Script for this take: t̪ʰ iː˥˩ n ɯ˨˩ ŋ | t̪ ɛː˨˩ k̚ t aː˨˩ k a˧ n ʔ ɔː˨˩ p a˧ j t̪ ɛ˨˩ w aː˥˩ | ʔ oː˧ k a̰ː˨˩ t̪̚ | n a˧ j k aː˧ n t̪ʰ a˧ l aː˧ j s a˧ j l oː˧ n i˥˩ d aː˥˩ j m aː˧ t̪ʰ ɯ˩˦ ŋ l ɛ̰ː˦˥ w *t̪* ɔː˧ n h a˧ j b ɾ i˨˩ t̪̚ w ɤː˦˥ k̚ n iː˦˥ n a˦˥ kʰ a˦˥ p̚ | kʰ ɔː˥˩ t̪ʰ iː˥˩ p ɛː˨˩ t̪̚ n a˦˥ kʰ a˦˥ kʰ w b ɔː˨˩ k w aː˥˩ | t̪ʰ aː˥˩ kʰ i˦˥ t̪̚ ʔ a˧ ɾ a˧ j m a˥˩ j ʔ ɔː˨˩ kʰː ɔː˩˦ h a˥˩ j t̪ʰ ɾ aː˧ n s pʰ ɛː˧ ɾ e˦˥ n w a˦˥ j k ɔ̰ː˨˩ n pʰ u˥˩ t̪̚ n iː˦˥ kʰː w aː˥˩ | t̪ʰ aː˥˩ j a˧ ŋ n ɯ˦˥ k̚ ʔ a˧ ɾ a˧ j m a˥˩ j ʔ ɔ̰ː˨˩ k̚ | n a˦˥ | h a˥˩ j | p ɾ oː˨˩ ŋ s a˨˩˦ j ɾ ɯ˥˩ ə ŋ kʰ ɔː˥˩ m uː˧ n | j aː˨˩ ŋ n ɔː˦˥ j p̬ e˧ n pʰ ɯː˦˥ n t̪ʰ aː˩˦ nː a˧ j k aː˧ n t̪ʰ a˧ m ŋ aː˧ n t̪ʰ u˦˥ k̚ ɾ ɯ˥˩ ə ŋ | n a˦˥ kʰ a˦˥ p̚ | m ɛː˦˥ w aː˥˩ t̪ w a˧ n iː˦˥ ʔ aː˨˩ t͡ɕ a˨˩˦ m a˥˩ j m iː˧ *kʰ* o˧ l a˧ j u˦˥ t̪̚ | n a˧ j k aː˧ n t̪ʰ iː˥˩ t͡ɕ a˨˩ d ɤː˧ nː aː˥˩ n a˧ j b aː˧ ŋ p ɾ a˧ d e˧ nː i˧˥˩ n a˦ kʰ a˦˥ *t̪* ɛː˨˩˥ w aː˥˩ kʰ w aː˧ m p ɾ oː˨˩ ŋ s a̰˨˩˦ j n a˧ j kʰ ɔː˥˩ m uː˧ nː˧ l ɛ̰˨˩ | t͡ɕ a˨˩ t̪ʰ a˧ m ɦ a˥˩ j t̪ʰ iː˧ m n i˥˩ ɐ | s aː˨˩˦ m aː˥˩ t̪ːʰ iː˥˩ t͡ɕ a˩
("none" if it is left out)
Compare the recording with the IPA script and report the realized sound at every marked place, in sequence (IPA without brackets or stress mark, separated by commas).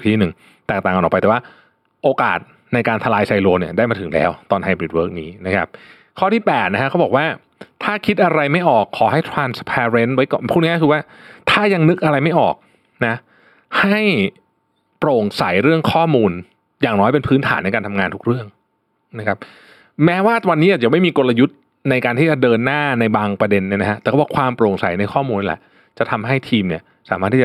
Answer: t̪, k, t̪